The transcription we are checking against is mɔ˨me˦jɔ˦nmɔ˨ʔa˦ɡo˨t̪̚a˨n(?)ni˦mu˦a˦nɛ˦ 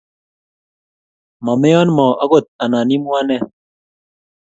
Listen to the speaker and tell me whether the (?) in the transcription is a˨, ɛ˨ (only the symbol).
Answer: a˨